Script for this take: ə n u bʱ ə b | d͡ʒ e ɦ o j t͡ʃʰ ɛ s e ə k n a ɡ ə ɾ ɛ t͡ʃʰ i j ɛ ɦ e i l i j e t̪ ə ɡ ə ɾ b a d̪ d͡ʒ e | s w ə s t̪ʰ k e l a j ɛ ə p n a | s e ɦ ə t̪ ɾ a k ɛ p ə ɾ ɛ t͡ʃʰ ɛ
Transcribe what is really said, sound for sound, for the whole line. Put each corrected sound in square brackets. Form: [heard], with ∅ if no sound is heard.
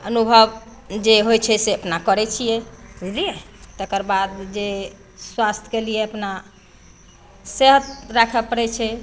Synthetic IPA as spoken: ə n u bʱ ə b | d͡ʒ e ɦ o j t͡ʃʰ ɛ s e ə [p] n a [k] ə ɾ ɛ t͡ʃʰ i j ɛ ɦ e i l i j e t̪ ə [k] ə ɾ b a d̪ d͡ʒ e | s w [a] s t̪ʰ k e l [i] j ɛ ə p n a | s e ɦ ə t̪ ɾ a [kʰ] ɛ p ə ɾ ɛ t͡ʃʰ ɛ